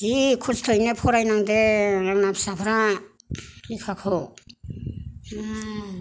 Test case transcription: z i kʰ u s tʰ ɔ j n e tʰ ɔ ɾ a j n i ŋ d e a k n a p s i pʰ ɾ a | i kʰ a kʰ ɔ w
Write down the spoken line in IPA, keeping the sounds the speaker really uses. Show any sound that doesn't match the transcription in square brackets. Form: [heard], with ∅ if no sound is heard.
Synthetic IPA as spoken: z i kʰ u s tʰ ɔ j n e [pʰ] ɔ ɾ a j n [a] ŋ d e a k n a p s [a] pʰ ɾ a | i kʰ a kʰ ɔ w